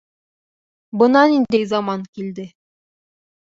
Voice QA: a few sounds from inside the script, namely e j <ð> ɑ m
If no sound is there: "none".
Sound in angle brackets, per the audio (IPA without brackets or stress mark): z